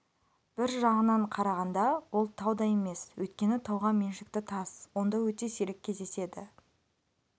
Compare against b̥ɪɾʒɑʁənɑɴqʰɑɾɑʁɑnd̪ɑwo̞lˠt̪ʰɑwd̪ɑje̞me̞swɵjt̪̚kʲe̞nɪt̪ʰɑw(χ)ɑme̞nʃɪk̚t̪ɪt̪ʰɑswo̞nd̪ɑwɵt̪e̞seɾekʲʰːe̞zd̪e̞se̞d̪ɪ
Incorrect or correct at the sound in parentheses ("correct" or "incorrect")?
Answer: incorrect